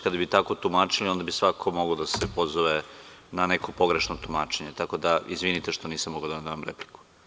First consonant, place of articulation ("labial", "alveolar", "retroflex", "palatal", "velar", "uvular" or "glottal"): velar